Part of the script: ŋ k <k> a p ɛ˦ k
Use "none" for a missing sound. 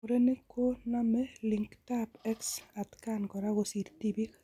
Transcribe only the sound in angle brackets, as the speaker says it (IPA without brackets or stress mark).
t